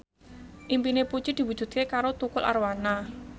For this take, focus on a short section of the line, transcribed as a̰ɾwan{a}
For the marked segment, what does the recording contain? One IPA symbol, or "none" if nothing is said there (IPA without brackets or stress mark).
a